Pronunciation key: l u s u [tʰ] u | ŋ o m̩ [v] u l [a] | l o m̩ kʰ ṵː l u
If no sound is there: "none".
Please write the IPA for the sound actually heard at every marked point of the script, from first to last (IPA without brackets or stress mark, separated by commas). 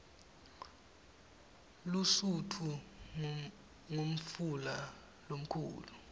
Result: tʰ, f, a